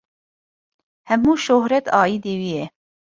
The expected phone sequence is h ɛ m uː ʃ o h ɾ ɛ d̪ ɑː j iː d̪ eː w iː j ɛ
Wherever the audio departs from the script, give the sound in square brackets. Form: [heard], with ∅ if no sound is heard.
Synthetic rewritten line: h ɛ m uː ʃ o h ɾ ɛ [t̪] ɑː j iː d̪ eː w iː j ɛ